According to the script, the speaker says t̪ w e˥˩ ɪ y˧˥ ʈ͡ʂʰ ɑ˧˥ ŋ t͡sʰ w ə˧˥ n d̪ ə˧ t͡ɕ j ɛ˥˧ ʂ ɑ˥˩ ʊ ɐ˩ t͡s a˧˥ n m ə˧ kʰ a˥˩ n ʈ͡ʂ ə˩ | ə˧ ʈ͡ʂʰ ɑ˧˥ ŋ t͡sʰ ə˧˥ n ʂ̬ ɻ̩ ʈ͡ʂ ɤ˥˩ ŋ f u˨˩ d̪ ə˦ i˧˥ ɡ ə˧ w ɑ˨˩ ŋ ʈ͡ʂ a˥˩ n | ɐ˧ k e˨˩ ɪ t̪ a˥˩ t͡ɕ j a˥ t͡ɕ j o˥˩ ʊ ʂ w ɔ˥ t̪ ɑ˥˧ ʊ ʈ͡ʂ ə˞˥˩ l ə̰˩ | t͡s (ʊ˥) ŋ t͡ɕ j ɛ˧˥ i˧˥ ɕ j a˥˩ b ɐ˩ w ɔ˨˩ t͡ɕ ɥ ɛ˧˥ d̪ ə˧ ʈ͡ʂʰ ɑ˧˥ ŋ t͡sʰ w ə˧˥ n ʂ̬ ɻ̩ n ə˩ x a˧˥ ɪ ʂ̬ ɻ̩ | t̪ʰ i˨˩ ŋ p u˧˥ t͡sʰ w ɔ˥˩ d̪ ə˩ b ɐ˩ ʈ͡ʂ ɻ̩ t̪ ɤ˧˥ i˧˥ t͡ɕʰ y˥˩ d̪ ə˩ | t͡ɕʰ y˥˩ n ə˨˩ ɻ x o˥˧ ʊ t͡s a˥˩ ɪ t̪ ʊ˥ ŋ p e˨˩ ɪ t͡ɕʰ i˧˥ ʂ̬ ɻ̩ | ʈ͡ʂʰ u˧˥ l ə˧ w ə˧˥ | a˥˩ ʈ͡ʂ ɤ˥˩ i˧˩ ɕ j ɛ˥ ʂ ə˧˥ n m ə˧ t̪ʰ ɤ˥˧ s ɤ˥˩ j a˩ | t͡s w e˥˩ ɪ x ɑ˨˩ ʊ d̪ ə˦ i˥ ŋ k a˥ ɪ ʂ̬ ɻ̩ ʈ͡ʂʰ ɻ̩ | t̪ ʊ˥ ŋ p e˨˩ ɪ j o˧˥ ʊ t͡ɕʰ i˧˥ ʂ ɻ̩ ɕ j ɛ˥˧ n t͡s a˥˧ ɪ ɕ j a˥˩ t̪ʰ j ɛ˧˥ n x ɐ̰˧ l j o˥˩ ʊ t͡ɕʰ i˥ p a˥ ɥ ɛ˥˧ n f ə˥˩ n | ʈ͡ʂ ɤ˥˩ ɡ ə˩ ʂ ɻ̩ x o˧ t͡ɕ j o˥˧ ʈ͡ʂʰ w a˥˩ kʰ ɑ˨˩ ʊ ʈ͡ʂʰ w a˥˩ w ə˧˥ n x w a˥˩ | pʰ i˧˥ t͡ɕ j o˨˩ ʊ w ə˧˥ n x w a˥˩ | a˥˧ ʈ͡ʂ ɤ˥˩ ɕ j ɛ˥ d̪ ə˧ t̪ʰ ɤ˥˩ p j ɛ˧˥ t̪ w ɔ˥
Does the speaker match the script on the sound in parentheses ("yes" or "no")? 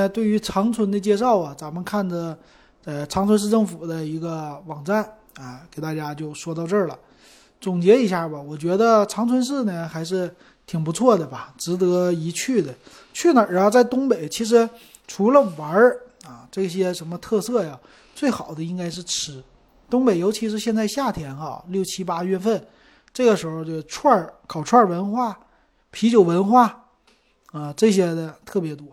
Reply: no